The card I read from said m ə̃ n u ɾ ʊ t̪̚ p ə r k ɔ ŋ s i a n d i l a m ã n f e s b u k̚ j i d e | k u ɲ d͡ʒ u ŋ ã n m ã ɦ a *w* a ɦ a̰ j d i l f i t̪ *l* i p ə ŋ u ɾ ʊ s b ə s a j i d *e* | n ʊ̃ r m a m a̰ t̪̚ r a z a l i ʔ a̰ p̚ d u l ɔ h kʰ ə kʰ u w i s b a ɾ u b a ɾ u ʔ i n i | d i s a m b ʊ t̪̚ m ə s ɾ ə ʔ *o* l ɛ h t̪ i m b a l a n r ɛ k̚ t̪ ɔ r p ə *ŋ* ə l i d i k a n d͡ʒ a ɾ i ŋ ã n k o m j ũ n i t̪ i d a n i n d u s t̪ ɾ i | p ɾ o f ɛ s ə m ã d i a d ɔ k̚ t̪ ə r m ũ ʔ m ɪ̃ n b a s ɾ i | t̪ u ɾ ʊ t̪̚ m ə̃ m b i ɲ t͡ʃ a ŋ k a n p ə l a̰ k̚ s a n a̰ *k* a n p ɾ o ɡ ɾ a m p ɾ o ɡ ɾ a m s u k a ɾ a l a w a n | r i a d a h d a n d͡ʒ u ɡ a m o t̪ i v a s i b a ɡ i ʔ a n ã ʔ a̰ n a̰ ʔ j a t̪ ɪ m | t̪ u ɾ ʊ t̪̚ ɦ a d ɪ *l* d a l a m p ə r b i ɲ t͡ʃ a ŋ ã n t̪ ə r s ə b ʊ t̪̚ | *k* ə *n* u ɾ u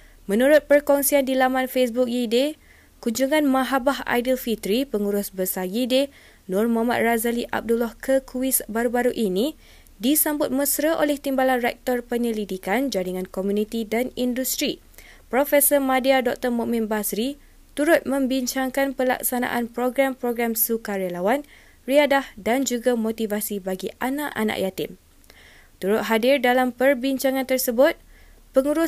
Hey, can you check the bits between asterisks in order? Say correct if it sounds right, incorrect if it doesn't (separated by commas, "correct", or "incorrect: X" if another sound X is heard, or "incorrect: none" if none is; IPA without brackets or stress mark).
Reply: incorrect: b, incorrect: ɾ, correct, correct, incorrect: ɲ, incorrect: ʔ, incorrect: r, incorrect: p, incorrect: ŋ